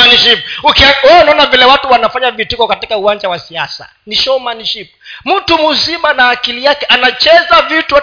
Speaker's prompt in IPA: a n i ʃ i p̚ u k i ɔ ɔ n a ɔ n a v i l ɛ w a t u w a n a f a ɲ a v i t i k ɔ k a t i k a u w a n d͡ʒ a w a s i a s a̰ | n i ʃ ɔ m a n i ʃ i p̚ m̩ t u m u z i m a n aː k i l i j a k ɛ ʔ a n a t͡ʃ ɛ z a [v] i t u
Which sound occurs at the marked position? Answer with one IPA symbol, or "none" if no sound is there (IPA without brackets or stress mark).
v